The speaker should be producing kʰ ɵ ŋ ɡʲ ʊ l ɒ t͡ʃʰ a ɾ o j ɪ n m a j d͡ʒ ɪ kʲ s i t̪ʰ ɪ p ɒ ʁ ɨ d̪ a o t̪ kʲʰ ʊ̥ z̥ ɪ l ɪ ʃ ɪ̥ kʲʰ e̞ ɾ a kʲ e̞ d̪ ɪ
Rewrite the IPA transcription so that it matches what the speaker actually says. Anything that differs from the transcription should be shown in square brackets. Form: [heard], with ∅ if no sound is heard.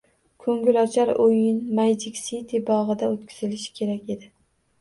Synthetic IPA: kʰ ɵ ŋ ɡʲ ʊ l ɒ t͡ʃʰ a ɾ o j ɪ n m a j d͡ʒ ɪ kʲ s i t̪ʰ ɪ [b] ɒ ʁ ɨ d̪ a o t̪ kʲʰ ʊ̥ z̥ ɪ l ɪ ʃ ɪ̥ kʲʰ e̞ ɾ a kʲ e̞ d̪ ɪ